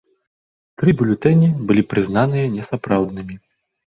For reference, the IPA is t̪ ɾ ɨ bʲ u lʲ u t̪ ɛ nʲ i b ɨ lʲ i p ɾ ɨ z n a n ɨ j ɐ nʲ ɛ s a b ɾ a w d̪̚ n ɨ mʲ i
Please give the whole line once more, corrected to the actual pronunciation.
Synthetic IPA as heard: t̪ ɾ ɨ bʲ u lʲ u t̪ ɛ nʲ i b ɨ lʲ i p ɾ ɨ z n a n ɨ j ɐ nʲ ɛ s a p ɾ a w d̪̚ n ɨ mʲ i